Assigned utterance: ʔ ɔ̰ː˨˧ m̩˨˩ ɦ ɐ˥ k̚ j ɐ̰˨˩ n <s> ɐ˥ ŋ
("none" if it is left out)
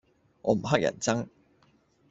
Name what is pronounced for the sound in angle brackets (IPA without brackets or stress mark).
t͡s